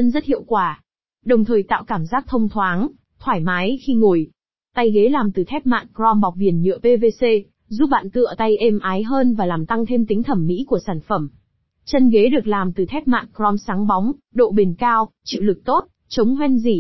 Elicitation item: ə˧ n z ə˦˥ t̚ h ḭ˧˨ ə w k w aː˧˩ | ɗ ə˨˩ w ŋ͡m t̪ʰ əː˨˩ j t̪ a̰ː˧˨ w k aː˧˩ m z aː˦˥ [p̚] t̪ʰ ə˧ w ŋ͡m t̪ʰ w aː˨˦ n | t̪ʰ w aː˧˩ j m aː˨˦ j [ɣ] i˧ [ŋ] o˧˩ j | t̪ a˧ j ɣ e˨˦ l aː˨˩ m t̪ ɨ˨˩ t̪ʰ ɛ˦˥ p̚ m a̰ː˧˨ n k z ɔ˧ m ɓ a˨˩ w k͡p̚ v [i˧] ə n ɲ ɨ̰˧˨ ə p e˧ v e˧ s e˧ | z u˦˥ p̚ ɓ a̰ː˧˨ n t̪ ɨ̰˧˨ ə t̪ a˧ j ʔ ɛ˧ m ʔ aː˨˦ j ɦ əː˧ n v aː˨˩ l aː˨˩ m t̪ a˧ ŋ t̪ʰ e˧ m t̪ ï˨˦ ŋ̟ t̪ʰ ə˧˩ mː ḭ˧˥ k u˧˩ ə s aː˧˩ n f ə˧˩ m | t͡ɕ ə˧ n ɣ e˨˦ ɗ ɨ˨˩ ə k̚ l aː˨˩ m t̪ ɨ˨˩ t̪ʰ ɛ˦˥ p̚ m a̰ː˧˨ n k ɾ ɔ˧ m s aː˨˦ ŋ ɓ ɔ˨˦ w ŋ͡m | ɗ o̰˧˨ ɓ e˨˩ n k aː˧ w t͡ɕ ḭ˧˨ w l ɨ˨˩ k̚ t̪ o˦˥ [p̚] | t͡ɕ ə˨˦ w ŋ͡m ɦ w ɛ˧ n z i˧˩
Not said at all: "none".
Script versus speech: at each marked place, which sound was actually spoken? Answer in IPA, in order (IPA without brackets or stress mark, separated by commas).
k̚, x, ŋ, i˨˩, t̚